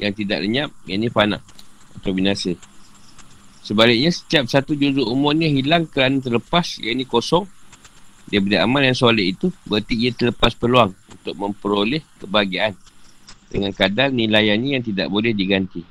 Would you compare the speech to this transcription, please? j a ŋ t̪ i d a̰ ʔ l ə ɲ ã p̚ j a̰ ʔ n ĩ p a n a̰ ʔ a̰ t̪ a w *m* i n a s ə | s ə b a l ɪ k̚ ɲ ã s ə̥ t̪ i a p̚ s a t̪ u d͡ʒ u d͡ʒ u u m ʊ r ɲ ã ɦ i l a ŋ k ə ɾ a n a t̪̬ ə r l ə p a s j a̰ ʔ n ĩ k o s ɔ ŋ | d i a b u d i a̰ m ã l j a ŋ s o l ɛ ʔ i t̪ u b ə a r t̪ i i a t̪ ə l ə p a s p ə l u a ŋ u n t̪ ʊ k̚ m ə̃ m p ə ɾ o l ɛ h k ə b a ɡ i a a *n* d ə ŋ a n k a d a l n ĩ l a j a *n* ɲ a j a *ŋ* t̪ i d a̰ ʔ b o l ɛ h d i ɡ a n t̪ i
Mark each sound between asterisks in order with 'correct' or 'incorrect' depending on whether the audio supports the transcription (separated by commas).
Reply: incorrect, correct, correct, correct